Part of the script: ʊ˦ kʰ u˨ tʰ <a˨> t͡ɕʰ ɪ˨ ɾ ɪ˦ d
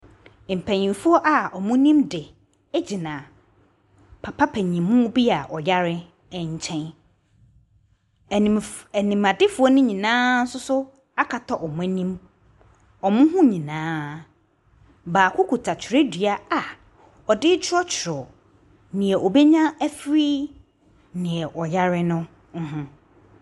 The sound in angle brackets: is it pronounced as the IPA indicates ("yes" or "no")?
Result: yes